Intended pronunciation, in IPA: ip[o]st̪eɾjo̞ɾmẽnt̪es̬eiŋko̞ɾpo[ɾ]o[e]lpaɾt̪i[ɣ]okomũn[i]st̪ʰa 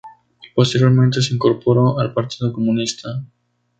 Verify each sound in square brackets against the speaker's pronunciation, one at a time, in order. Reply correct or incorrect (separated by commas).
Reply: correct, correct, incorrect, incorrect, correct